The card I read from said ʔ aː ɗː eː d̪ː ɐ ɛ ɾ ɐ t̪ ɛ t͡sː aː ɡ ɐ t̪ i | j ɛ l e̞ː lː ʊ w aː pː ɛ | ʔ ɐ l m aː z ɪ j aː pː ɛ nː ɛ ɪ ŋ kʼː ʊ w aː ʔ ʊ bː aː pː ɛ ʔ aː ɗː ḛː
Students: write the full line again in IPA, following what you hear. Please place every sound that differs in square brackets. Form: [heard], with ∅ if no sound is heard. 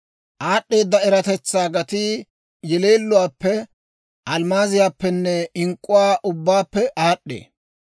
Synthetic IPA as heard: ʔ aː ɗː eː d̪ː ɐ ɛ ɾ ɐ t̪ ɛ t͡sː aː ɡ ɐ t̪ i | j ɛ l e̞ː lː ʊ w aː pː ɛ | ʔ ɐ l m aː z ɪ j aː pː ɛ nː ɛ ɪ ŋ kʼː ʊ w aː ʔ ʊ bː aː pː ɛ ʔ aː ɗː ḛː

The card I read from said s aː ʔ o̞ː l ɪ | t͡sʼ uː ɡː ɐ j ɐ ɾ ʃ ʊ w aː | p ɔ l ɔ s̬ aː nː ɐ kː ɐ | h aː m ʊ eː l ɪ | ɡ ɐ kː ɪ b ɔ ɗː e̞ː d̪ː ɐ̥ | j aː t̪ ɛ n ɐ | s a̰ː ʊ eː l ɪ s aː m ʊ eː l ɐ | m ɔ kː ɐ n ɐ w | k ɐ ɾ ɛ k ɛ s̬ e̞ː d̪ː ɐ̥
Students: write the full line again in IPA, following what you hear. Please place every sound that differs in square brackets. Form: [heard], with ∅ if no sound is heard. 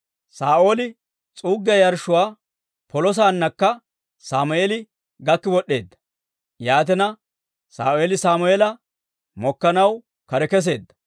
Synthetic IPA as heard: s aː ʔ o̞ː l ɪ | t͡sʼ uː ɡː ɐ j ɐ ɾ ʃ ʊ w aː | p ɔ l ɔ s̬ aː nː ɐ kː ɐ | [s] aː m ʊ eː l ɪ | ɡ ɐ kː ɪ [w] ɔ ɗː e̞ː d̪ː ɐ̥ | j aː t̪ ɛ n ɐ | s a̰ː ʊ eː l ɪ s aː m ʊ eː l ɐ | m ɔ kː ɐ n ɐ w | k ɐ ɾ ɛ k ɛ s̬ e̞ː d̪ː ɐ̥

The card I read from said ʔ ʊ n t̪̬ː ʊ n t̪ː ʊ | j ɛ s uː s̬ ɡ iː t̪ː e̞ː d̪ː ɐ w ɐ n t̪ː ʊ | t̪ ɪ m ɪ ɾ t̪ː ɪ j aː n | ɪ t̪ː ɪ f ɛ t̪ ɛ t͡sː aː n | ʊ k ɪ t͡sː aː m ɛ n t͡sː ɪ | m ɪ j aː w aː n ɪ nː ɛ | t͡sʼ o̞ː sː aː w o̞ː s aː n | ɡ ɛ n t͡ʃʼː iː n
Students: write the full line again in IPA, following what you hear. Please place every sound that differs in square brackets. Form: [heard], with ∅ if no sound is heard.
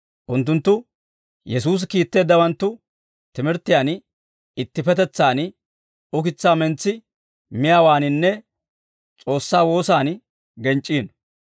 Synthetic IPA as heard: ʔ ʊ n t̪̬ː ʊ n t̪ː ʊ | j ɛ s uː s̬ [k] iː t̪ː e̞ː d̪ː ɐ w ɐ n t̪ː ʊ | t̪ ɪ m ɪ ɾ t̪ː ɪ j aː n | ɪ t̪ː ɪ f ɛ t̪ ɛ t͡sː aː n | ʊ k ɪ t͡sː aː m ɛ n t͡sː ɪ | m ɪ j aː w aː n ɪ nː ɛ | t͡sʼ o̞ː sː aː w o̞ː s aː n | ɡ ɛ n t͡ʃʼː iː n

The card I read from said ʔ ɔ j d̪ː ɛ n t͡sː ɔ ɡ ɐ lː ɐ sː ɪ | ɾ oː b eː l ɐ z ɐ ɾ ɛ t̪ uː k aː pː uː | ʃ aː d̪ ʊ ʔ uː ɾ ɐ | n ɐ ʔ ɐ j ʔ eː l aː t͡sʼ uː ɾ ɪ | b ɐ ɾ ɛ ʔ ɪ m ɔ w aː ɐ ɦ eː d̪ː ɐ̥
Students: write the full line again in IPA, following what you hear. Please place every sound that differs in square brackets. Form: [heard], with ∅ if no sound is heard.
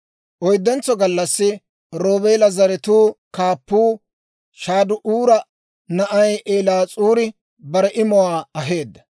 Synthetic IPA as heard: ʔ ɔ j d̪ː ɛ n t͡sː ɔ ɡ ɐ lː ɐ sː ɪ | ɾ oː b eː l ɐ z ɐ ɾ ɛ t̪ uː k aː pː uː | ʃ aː d̪ ʊ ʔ uː ɾ ɐ | n ɐ ʔ ɐ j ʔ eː l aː t͡sʼ uː ɾ ɪ | b ɐ ɾ ɛ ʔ ɪ m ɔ w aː ɐ ɦ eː d̪ː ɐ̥

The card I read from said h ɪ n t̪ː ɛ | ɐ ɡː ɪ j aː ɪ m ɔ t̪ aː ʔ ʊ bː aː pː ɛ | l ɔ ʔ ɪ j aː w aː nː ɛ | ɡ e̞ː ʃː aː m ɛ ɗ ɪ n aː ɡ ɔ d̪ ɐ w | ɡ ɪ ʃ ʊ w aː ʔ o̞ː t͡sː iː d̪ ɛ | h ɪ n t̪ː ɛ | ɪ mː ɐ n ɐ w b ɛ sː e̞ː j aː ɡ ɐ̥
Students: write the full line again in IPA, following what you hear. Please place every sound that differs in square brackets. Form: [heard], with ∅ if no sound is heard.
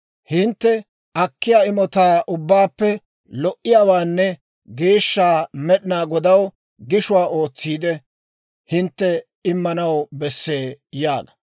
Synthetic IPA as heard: h ɪ n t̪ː ɛ | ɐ [kː] ɪ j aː ɪ m ɔ t̪ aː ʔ ʊ bː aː pː ɛ | l ɔ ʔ ɪ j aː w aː nː ɛ | ɡ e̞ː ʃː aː m ɛ ɗ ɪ n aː ɡ ɔ d̪ ɐ w | ɡ ɪ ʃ ʊ w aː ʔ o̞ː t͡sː iː d̪ ɛ | h ɪ n t̪ː ɛ | ɪ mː ɐ n ɐ w b ɛ sː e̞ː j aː ɡ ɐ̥

